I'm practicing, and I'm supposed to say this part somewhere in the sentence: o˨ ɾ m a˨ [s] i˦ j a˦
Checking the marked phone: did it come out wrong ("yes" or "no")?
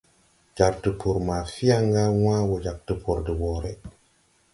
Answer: yes